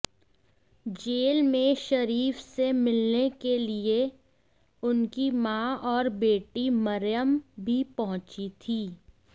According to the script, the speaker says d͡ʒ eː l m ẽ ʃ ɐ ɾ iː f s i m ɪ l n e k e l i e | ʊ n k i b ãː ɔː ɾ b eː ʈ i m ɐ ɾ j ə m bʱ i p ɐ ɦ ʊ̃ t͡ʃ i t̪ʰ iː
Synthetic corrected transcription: d͡ʒ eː l m ẽ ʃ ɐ ɾ iː f s e m ɪ l n e k e l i e | ʊ n k i m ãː ɔː ɾ b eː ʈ i m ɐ ɾ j ə m bʱ i p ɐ ɦ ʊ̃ t͡ʃ i t̪ʰ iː